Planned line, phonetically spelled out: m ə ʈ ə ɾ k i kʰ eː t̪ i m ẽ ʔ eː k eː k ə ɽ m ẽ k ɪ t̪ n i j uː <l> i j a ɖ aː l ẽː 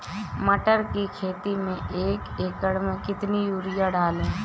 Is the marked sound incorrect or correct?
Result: incorrect